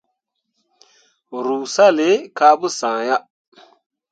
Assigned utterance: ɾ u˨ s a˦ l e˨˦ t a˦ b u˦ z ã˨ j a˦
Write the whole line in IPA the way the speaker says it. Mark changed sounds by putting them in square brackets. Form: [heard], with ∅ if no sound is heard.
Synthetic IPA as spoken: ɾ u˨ s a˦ l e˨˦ [k] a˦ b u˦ [s] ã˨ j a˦